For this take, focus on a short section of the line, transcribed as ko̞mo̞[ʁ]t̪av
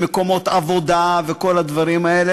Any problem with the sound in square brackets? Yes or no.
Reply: yes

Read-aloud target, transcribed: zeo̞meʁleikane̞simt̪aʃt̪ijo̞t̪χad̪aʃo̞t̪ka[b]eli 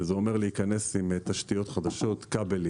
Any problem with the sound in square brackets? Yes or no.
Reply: no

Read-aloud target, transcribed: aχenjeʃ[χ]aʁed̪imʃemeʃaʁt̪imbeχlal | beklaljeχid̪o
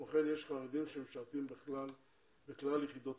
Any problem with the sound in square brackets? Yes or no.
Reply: no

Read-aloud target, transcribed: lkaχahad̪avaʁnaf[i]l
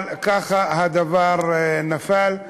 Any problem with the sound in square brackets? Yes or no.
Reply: yes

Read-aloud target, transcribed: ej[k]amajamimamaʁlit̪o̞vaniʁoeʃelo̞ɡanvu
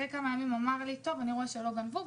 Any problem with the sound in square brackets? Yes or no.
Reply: no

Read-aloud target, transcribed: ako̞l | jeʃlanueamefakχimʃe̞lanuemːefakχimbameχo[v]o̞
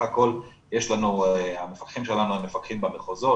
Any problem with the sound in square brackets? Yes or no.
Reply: yes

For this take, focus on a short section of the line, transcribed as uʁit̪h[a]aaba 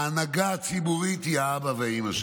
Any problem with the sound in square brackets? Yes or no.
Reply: yes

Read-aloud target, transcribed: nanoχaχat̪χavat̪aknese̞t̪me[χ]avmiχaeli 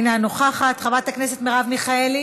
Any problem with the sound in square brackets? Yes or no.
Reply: yes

